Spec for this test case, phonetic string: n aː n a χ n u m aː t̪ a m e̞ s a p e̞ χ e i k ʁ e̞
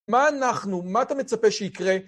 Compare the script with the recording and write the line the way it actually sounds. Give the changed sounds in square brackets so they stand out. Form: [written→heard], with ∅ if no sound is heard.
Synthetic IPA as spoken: [n→m] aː n a χ n u m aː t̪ a m e̞ [s→t͡s] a p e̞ [χ→ʃ] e i k ʁ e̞